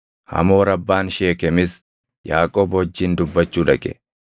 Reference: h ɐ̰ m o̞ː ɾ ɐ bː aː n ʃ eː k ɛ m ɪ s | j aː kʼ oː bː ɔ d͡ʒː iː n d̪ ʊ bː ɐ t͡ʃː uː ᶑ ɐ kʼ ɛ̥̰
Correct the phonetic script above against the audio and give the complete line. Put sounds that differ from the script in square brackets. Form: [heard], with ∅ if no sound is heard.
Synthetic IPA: h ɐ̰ m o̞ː ɾ ɐ bː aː n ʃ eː k ɛ m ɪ s | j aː kʼ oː [b] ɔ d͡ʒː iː n d̪ ʊ bː ɐ t͡ʃː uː ᶑ ɐ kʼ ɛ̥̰

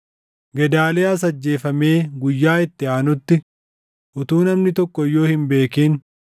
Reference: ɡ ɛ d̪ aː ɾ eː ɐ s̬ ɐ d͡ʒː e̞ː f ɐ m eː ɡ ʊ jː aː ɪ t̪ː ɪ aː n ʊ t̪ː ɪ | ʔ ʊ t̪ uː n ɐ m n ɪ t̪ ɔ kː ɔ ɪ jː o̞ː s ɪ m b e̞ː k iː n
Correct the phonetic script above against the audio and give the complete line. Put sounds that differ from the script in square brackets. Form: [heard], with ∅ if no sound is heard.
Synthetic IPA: ɡ ɛ d̪ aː [l] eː ɐ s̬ ɐ d͡ʒː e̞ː f ɐ m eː ɡ ʊ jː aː ɪ t̪ː ɪ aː n ʊ t̪ː ɪ | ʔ ʊ t̪ uː n ɐ m n ɪ t̪ ɔ kː ɔ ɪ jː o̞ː [h] ɪ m b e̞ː k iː n

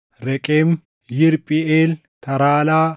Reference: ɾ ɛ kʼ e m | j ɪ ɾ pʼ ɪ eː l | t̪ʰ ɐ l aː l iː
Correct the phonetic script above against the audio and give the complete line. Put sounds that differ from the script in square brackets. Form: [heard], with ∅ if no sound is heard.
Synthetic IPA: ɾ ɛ kʼ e m | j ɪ ɾ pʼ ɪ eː l | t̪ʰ ɐ [ɾ] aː l [aː]

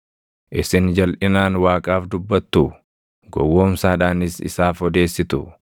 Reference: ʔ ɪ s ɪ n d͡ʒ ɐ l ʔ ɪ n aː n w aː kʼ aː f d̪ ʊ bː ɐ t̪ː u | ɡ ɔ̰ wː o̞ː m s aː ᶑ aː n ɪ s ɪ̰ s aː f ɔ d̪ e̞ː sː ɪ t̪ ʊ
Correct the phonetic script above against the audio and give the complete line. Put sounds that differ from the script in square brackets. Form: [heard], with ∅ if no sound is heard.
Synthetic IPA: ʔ ɪ s ɪ n d͡ʒ ɐ l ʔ ɪ n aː n w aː kʼ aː f d̪ ʊ bː ɐ t̪ː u | ɡ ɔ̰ wː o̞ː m s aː ᶑ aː n ɪ s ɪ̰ s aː f ɔ d̪ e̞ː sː ɪ t̪ ʊ

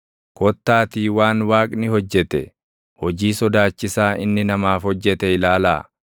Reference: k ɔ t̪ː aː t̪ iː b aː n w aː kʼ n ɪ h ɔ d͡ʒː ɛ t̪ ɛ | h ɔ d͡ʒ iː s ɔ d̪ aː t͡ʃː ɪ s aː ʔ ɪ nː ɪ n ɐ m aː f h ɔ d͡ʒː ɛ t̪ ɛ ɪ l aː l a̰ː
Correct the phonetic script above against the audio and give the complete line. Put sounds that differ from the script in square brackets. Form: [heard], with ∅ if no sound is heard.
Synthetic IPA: k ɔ t̪ː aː t̪ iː [w] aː n w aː kʼ n ɪ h ɔ d͡ʒː ɛ t̪ ɛ | h ɔ d͡ʒ iː s ɔ d̪ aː t͡ʃː ɪ s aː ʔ ɪ nː ɪ n ɐ m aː f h ɔ d͡ʒː ɛ t̪ ɛ ɪ l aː l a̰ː

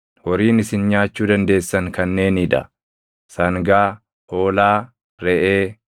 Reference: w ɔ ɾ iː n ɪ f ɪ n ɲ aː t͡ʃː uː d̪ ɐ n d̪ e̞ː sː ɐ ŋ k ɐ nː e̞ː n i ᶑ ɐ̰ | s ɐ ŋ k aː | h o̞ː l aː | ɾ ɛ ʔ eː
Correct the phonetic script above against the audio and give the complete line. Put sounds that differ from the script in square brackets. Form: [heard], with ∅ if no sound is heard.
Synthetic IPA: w ɔ ɾ iː n ɪ [s] ɪ n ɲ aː t͡ʃː uː d̪ ɐ n d̪ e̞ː sː ɐ ŋ k ɐ nː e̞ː n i ᶑ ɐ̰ | s ɐ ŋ [ɡ] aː | h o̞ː l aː | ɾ ɛ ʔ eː

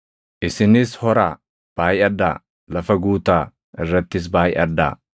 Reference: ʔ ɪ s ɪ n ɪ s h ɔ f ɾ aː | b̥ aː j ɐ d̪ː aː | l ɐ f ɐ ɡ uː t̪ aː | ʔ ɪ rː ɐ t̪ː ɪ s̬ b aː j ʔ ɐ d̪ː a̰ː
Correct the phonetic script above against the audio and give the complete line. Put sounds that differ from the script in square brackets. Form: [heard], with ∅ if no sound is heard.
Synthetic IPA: ʔ ɪ s ɪ n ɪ s h ɔ [∅] ɾ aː | b̥ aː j ɐ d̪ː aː | l ɐ f ɐ ɡ uː t̪ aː | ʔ ɪ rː ɐ t̪ː ɪ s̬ b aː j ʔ ɐ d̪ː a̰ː

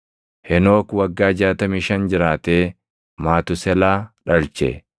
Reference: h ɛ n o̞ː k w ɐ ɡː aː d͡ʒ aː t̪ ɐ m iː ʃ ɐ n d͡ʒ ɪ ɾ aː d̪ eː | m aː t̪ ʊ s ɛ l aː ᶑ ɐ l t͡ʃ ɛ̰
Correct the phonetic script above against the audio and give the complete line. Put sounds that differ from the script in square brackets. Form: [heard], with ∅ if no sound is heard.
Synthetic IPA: h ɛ n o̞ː k w ɐ ɡː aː d͡ʒ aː t̪ ɐ m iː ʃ ɐ n d͡ʒ ɪ ɾ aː [t̪] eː | m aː t̪ ʊ s ɛ l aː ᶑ ɐ l t͡ʃ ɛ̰

